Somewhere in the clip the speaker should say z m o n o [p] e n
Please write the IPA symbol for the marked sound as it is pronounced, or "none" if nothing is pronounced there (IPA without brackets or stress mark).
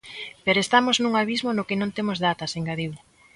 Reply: k